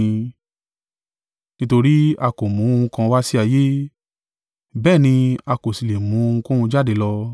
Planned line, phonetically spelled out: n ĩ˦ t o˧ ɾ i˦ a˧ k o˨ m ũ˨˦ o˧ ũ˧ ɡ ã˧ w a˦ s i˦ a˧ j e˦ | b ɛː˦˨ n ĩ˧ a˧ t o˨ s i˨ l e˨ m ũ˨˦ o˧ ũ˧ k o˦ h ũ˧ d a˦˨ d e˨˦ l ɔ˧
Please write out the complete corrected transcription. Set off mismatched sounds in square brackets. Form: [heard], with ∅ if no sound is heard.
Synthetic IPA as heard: n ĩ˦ t o˧ ɾ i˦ a˧ k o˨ m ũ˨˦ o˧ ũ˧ [k] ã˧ w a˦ s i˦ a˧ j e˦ | b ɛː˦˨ n ĩ˧ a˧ [k] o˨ s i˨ l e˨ m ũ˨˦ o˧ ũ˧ k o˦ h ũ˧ [d͡ʒ] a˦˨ d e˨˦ l ɔ˧